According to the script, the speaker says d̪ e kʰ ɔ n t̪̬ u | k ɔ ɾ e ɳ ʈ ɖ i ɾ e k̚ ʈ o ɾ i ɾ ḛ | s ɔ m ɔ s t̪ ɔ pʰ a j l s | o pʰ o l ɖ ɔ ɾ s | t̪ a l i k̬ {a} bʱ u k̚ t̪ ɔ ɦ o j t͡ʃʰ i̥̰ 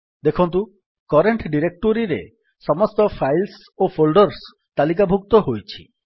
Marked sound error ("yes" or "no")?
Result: no